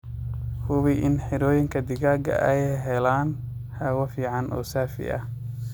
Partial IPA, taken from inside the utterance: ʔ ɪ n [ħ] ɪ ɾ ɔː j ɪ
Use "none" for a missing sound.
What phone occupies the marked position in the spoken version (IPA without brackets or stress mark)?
ħ